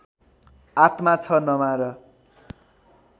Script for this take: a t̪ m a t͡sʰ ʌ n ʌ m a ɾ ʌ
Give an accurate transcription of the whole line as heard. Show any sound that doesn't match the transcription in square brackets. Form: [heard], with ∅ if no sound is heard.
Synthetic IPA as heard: a t̪ m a t͡sʰ ʌ n ʌ m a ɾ ʌ